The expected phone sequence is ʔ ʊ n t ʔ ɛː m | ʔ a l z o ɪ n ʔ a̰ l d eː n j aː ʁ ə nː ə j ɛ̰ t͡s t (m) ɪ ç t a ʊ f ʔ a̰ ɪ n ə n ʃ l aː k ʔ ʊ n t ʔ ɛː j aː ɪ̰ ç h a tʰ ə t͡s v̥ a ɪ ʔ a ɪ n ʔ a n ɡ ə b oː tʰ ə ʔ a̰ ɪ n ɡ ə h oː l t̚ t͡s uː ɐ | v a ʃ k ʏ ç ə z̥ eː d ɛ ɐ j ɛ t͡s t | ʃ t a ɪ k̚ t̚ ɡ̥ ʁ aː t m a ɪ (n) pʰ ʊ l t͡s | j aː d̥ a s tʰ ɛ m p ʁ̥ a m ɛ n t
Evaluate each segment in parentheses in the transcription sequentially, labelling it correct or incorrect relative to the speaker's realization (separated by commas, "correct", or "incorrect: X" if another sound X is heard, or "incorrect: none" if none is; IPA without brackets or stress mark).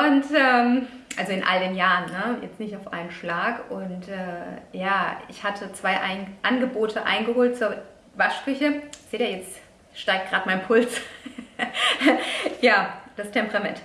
incorrect: n, correct